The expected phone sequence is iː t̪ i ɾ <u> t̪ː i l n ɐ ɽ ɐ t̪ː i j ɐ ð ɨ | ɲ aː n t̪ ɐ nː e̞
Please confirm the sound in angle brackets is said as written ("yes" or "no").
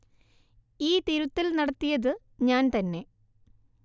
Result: yes